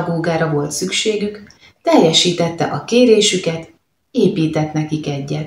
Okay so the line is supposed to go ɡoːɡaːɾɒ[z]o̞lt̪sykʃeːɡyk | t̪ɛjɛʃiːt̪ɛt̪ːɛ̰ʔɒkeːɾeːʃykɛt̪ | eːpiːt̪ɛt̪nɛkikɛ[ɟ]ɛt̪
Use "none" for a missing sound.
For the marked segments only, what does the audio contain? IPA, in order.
v, ɟː

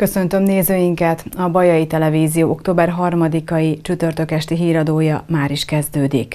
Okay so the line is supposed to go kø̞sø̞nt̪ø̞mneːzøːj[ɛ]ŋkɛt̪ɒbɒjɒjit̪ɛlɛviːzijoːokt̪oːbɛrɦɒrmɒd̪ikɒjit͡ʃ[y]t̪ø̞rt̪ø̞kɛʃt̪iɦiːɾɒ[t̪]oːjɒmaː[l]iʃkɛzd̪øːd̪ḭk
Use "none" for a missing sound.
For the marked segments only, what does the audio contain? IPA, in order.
i, y, d̪, ɾ

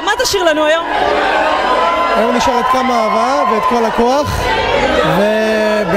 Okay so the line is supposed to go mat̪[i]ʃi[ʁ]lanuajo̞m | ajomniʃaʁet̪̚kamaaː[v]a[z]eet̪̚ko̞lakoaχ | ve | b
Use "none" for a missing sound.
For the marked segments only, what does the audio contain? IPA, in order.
a, ʁ, v, v

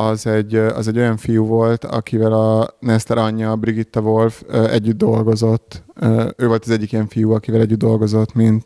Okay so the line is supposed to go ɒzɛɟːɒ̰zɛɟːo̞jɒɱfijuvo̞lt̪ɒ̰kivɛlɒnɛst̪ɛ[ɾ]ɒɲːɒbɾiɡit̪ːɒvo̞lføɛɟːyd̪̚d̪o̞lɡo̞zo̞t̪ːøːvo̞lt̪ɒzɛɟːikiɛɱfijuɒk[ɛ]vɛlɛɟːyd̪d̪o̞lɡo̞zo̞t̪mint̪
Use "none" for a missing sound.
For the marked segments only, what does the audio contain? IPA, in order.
ɾ, i

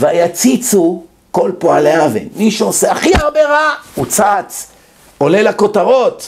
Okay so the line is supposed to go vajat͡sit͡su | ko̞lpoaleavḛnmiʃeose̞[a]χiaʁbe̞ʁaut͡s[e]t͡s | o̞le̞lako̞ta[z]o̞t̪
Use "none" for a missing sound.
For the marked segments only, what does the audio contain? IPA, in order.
a, a, ʁ

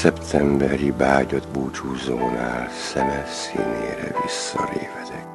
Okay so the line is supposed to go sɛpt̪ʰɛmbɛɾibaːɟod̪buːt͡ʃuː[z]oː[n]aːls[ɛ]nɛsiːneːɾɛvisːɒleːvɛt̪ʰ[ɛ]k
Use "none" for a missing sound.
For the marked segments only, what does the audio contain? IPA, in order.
z, n, ɛ, ɛ

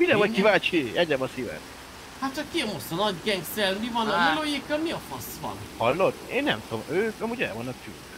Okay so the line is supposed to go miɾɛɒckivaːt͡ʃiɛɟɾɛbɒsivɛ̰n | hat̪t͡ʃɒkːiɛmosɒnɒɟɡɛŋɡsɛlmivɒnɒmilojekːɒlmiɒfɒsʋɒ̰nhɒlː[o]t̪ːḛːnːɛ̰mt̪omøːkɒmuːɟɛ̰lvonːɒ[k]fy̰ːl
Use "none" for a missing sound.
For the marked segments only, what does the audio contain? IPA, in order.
o, k

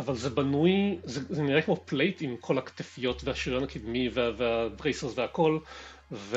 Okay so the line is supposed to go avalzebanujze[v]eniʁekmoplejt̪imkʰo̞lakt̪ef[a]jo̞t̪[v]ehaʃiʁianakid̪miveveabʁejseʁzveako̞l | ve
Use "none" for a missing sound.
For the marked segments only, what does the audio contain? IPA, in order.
z, i, v

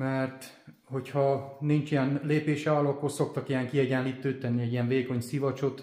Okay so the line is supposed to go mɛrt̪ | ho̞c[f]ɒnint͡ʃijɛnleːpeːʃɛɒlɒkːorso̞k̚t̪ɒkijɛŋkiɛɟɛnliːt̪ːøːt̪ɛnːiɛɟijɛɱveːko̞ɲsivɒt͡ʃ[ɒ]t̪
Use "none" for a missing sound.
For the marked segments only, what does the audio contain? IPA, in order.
h, o

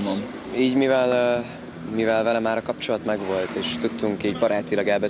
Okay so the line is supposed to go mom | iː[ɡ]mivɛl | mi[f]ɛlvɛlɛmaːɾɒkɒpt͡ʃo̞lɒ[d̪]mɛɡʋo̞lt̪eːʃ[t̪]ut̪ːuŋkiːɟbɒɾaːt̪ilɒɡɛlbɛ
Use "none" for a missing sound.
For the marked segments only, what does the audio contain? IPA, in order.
ɟ, v, t̪, t̪

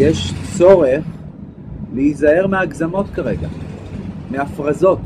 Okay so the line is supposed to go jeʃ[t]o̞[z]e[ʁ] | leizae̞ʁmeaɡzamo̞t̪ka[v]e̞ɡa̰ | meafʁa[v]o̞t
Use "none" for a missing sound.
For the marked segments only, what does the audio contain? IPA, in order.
t͡s, ʁ, χ, ʁ, z

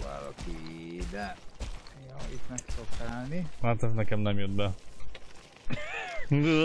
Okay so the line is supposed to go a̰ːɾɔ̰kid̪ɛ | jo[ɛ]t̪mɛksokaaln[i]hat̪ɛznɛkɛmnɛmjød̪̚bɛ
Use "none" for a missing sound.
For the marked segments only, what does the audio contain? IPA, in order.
i, i

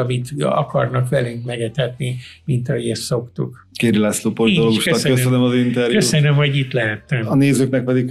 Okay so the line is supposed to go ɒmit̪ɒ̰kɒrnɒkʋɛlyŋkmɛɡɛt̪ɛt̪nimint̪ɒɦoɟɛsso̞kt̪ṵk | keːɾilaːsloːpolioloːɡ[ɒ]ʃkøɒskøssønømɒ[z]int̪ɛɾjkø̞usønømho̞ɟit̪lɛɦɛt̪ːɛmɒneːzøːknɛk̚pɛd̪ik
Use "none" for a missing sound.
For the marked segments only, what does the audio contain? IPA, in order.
u, z

